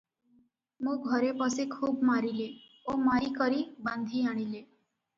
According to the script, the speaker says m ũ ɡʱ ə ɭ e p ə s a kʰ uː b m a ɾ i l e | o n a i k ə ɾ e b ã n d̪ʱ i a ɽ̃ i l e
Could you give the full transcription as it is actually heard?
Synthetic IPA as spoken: m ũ ɡʱ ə ɾ e p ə s e kʰ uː b m a ɾ i l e | o m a i k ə ɾ i b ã n d̪ʱ i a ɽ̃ i l e